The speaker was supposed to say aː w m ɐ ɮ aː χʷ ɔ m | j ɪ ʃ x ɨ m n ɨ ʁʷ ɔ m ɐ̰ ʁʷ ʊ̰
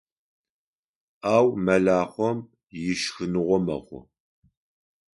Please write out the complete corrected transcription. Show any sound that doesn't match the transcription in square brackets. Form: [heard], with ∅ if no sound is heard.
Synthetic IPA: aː w m ɐ ɮ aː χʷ ɔ m | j ɪ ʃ x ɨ [∅] n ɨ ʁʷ ɔ m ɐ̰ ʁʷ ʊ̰